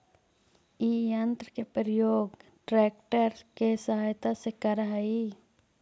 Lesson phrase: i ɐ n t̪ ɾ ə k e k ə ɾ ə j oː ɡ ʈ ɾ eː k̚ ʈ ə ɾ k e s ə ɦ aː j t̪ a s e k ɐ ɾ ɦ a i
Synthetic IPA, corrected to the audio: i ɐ n t̪ ɾ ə k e p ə ɾ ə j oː ɡ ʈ ɾ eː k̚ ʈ ə ɾ k e s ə ɦ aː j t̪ a s e k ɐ ɾ ɦ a i

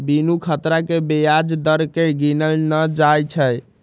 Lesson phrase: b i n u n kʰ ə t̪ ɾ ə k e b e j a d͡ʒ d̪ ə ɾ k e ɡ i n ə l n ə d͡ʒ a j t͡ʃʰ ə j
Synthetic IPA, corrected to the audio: b i n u kʰ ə t̪ ɾ a k e b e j a d͡ʒ d̪ ə ɾ k e ɡ i n ə l n ə d͡ʒ a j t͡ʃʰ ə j

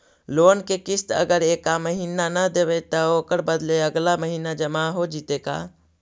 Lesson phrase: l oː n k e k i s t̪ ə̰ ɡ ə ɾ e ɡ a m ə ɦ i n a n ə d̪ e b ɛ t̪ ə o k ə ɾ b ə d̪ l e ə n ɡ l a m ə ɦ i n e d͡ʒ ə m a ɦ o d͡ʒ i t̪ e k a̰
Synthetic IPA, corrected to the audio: l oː n k e k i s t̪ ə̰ ɡ ə ɾ e k a m ə ɦ i n a n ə d̪ e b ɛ t̪ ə o k ə ɾ b ə d̪ l e ə ɡ l a m ə ɦ i n a d͡ʒ ə m a ɦ o d͡ʒ i t̪ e k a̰

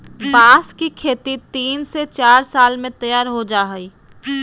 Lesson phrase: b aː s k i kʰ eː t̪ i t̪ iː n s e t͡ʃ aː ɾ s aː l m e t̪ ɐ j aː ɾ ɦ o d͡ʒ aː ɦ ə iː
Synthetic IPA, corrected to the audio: b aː s k i kʰ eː t̪ i t̪ iː n s e t͡ʃ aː ɾ s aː l m ẽ t̪ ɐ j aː ɾ ɦ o d͡ʒ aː ɦ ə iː

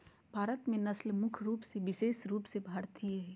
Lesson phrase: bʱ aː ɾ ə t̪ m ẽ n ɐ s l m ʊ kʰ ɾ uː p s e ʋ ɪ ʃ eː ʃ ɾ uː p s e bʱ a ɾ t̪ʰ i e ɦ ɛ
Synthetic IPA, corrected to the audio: bʱ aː ɾ ə t̪ m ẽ n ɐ s l m ʊ kʰ ɾ uː p s e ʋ ɪ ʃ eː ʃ ɾ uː p s e bʱ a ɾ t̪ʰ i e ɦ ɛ

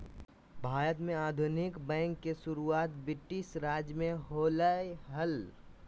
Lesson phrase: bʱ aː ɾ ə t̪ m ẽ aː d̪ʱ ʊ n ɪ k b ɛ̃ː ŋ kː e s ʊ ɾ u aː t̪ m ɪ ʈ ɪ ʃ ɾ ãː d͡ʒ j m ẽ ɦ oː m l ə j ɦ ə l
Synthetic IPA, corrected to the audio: bʱ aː ɾ ə t̪ m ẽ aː d̪ʱ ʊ n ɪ k b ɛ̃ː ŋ kː e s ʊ ɾ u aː t̪ b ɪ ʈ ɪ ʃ ɾ aː d͡ʒ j m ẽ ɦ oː l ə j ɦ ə l

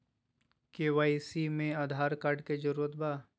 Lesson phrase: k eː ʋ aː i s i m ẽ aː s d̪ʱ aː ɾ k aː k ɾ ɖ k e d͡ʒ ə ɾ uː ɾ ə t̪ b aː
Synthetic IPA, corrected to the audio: k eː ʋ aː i s i m ẽ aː d̪ʱ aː ɾ k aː ɾ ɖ k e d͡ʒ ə ɾ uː ɾ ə t̪ b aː

